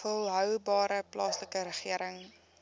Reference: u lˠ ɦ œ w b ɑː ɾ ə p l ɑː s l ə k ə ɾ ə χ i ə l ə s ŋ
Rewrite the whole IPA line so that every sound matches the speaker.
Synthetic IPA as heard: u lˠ ɦ œ w b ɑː ɾ ə p l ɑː s l ə k ə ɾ ə χ i ə ɾ ə ŋ

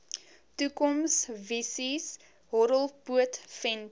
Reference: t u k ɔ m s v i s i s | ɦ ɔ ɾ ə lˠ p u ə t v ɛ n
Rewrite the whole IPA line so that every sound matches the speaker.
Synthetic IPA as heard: t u k ɔ m s v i s i s | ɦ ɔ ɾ ə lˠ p u ə t f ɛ n

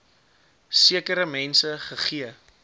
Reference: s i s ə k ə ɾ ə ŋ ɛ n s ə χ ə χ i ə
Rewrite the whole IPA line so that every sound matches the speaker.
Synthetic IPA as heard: s i ə k ə ɾ ə m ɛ n s ə χ ə χ i ə

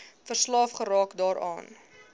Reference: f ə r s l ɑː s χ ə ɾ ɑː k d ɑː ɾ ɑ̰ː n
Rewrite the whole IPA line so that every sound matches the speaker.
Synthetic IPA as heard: f ə r s l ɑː f χ ə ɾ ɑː k d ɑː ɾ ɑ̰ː n

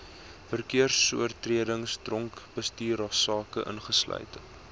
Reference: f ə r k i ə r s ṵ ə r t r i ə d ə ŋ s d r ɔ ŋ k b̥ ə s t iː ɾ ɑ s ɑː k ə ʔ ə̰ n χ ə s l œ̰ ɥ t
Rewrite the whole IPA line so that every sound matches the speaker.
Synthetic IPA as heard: f ə r k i ə r s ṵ ə r t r i ə d ə ŋ s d r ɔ ŋ k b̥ ə s t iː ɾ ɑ s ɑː k ə ʔ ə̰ n χ ə s l œ̰ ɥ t

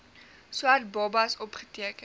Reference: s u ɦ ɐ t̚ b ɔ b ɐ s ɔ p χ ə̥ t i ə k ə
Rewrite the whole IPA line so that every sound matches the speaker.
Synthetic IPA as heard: s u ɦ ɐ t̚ b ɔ b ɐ s ɔ p χ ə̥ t i ə k ə

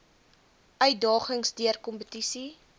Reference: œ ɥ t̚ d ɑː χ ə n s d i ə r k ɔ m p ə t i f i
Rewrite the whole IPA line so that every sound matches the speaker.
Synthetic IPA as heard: œ ɥ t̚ d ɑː χ ə ŋ s d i ə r k ɔ m p ə t i s i

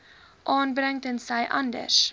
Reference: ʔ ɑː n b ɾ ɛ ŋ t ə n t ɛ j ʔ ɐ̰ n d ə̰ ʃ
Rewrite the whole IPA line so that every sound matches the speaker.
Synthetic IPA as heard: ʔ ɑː n b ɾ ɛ ŋ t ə n s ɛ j ʔ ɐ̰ n d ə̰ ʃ

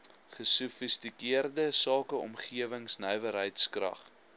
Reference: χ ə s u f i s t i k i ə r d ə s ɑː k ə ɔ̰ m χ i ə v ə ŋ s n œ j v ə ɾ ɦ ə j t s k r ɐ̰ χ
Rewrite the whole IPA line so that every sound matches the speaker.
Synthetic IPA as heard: χ ə s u f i s t i k i ə r d ə s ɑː k ə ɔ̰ m χ i ə v ə ŋ s n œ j v ə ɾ ɦ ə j t s k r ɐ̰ χ

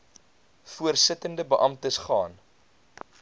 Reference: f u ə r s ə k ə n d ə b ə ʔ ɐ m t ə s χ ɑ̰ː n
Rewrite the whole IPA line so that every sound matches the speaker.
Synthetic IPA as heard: f u ə r s ə t ə n d ə b ə ʔ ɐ m t ə s χ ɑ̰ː n

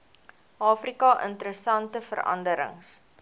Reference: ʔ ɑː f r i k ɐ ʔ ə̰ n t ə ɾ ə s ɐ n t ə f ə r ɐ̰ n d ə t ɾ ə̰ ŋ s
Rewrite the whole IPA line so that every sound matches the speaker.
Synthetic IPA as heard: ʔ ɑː f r i k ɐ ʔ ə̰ n t ə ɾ ə s ɐ n t ə f ə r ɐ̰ n d ə ɾ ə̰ ŋ s

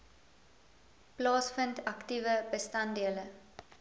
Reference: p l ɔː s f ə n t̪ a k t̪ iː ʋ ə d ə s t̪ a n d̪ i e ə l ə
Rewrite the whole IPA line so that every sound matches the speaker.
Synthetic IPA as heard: p l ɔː s f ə n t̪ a k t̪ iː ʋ ə b ə s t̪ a n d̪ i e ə l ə

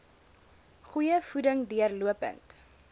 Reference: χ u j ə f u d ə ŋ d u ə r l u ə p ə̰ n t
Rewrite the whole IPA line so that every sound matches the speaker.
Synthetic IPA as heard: χ u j ə f u d ə ŋ d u ə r l u ə p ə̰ n t

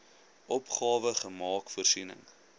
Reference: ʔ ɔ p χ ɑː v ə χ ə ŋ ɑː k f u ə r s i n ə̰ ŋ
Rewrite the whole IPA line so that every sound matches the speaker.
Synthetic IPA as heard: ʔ ɔ p χ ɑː v ə χ ə m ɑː k f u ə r s i n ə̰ ŋ

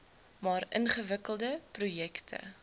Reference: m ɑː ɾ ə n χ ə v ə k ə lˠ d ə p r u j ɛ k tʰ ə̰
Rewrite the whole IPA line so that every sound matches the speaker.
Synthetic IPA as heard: m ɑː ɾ ə n χ ə v ə k ə lˠ d ə p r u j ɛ k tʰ ə̰

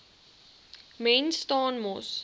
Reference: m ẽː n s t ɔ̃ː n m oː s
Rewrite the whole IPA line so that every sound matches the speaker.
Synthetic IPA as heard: m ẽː n s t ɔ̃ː n m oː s

